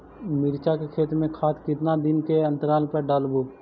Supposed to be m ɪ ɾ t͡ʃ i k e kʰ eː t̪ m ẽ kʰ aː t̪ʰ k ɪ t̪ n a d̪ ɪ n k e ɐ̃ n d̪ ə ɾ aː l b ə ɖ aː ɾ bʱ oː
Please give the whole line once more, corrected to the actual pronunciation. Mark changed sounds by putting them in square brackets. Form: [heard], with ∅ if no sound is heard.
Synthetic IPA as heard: m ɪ ɾ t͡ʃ [a] k e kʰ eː t̪ m ẽ kʰ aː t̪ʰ k ɪ t̪ n a d̪ ɪ n k e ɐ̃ n [t̪] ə ɾ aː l [p] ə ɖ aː [l] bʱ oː

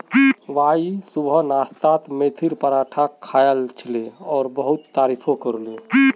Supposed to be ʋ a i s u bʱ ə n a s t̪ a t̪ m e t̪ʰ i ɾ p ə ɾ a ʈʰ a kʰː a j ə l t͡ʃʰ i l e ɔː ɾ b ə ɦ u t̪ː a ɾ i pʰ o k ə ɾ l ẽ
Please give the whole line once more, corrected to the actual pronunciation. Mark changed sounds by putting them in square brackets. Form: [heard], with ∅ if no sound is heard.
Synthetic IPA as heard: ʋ a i s u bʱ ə n a s t̪ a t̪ m e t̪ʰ i ɾ p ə ɾ a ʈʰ a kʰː a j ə l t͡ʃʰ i l e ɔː ɾ b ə ɦ u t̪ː a ɾ i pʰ o k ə ɾ l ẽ

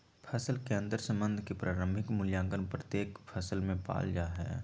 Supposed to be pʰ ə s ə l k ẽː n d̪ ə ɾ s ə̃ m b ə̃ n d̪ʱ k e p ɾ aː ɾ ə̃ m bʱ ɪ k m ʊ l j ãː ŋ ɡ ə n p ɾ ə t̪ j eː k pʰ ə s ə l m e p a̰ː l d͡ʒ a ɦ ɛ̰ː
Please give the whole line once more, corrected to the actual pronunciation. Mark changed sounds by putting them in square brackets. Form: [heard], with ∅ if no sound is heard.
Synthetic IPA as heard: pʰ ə s ə l k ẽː n d̪ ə ɾ s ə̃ m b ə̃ n d̪ʱ k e p ɾ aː ɾ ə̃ m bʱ ɪ k m ʊ l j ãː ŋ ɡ ə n p ɾ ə t̪ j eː k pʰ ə s ə l m [ẽ] p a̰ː l d͡ʒ a ɦ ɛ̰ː

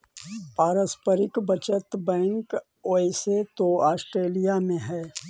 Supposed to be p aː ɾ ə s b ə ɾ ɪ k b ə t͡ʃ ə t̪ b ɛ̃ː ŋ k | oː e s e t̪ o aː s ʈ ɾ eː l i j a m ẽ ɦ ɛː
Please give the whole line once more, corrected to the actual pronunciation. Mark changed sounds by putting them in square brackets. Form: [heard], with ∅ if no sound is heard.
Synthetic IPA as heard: p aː ɾ ə s [p] ə ɾ ɪ k b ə t͡ʃ ə t̪ b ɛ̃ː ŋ k | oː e s e t̪ o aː s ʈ ɾ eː l i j a m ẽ ɦ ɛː

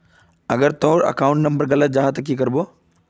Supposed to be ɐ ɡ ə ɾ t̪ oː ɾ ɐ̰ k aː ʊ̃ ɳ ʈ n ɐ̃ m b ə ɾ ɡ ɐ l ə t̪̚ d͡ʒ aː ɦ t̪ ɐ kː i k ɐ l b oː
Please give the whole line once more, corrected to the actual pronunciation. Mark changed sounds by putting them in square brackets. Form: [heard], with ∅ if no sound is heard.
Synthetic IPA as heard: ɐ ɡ ə ɾ t̪ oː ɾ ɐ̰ k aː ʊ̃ ɳ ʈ n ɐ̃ m b ə ɾ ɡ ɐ l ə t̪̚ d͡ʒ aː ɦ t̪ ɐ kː i k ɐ [ɾ] b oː

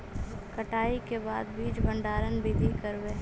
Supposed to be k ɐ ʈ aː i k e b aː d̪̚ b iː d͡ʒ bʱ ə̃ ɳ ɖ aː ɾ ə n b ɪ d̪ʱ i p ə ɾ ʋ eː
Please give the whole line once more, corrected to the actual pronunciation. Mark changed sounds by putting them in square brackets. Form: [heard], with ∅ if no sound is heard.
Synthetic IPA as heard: k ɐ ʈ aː i k e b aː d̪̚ b iː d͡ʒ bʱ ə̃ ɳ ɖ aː ɾ ə n b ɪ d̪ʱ i [k] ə ɾ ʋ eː

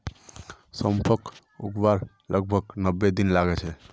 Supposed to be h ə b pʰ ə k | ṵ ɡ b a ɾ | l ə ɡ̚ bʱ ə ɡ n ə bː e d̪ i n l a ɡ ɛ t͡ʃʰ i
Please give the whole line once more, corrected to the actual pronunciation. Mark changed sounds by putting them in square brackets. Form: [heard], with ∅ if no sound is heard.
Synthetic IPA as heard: [s] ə [m] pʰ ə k | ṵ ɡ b a ɾ | l ə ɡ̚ bʱ ə ɡ n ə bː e d̪ i n l a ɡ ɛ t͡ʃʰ [ɛ]

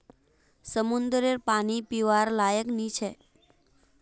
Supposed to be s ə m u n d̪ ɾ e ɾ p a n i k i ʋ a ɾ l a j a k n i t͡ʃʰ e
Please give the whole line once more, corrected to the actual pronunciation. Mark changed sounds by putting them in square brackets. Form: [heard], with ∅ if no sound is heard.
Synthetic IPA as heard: s ə m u n d̪ ɾ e ɾ p a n i [p] i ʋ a ɾ l a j [ə] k n i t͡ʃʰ e

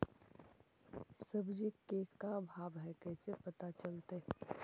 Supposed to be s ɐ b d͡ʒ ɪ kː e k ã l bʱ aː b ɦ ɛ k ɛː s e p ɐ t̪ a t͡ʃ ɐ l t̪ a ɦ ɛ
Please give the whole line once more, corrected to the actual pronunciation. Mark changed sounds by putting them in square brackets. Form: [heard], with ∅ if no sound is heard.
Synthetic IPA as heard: s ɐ b d͡ʒ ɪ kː e k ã [∅] bʱ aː b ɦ ɛ k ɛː s e p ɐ t̪ a t͡ʃ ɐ l t̪ [e] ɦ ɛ

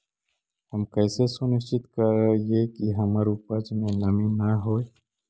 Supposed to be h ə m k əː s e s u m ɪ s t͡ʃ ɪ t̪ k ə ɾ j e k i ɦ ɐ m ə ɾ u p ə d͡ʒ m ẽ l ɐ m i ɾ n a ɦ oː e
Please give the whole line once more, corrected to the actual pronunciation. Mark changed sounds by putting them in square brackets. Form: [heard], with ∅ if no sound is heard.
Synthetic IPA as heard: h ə m k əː s e s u [n] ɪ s t͡ʃ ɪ t̪ k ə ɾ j e k i ɦ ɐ m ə ɾ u p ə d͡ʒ m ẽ l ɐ m i [∅] n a ɦ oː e

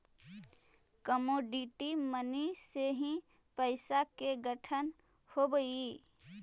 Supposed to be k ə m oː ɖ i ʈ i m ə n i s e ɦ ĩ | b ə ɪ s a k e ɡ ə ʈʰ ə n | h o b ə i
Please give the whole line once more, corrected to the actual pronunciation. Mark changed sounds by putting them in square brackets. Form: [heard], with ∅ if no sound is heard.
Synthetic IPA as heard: k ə m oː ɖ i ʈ i m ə n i s e ɦ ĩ | [p] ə ɪ s a k e ɡ ə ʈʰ ə n | h o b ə i

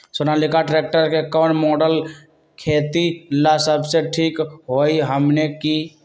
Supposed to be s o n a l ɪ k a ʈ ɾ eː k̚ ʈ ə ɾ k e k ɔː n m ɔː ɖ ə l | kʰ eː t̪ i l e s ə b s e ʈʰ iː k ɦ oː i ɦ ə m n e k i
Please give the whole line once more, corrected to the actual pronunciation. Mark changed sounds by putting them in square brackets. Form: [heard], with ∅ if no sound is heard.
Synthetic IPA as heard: s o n a l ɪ k a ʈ ɾ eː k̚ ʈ ə ɾ k e k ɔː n m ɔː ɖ ə l | kʰ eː t̪ i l [a] s ə b s e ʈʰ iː k ɦ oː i ɦ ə m n e k i

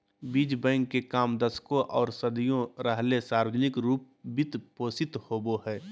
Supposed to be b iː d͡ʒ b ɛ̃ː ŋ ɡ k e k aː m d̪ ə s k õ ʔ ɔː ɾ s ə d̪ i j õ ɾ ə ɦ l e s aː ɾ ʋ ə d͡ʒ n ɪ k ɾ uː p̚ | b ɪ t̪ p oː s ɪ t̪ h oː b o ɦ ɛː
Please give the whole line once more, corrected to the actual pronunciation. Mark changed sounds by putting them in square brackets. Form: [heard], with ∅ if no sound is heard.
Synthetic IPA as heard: b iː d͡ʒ b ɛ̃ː ŋ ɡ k e k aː m d̪ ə s k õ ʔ ɔː ɾ s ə d̪ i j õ ɾ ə ɦ l e s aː ɾ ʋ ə d͡ʒ n ɪ k ɾ uː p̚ | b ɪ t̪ p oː s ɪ t̪ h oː b o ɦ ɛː

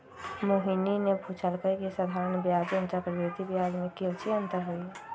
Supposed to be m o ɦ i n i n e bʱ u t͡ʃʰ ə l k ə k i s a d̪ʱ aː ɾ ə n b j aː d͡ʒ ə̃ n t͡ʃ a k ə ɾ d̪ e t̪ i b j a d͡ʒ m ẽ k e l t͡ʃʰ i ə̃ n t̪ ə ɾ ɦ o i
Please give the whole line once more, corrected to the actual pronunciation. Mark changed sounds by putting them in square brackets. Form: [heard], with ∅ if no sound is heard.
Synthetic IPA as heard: m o ɦ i n i n e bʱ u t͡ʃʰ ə l k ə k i s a d̪ʱ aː ɾ ə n b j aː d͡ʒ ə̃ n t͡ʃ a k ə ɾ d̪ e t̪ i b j a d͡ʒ m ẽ k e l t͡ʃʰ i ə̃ n t̪ ə ɾ ɦ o i

